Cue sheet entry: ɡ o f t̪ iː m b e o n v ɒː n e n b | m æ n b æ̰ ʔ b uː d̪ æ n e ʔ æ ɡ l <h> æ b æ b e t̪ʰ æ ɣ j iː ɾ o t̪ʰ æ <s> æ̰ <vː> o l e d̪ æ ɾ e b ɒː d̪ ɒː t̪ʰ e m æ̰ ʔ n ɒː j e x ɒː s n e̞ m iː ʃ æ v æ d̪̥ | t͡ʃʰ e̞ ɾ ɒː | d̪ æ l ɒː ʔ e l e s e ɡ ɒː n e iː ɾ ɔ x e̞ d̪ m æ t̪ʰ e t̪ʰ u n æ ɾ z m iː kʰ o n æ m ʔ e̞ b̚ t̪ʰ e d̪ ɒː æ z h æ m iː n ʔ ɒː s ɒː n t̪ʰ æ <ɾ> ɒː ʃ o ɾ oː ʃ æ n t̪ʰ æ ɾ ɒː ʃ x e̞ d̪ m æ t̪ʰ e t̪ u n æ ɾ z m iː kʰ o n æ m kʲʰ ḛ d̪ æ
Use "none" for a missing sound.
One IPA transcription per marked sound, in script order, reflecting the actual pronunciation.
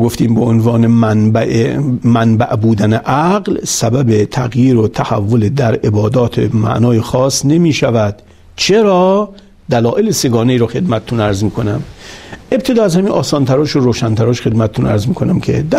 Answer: s, h, vː, ɾ

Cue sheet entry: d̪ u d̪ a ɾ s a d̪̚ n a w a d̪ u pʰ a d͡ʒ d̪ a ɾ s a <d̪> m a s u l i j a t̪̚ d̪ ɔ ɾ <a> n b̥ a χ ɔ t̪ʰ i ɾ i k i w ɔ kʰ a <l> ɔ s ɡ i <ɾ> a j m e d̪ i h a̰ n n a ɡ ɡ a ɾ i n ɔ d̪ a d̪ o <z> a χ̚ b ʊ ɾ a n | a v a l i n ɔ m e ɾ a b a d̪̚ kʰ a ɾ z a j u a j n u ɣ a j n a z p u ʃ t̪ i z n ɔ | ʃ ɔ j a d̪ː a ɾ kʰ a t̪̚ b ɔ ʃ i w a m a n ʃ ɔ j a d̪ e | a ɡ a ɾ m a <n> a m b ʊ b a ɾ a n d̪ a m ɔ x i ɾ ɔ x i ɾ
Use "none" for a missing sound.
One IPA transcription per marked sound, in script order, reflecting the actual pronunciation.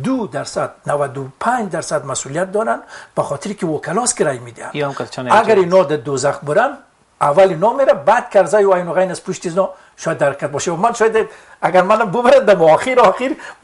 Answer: d̪, a, l, ɾ, z, n

